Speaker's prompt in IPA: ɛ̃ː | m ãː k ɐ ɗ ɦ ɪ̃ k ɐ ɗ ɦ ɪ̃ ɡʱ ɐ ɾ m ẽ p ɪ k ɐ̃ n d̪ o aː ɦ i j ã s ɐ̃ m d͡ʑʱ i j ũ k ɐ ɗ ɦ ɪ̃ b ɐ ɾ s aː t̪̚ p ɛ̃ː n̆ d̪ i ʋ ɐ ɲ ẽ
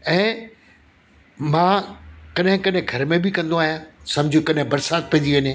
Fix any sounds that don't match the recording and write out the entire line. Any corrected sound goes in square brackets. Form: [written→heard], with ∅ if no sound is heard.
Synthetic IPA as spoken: ɛ̃ː | m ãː k ɐ ɗ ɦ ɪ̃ k ɐ ɗ ɦ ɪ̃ ɡʱ ɐ ɾ m ẽ [p→b] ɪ k ɐ̃ n d̪ o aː ɦ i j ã s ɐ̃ m d͡ʑʱ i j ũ k ɐ ɗ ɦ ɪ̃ b ɐ ɾ s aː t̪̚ p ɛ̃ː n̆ d̪ i ʋ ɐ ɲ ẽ